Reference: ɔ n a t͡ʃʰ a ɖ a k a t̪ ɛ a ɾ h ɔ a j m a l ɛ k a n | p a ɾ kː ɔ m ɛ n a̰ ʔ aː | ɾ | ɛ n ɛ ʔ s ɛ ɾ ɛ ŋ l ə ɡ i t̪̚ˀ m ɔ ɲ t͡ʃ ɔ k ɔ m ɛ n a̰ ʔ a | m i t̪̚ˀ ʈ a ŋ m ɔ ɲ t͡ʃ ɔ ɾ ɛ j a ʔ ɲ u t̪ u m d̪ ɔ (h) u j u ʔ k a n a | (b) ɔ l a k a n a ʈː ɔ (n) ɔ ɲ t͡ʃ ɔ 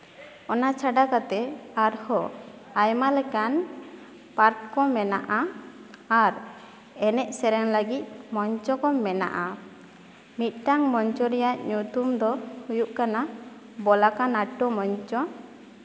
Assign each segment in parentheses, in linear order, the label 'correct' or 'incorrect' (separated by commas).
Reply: correct, correct, incorrect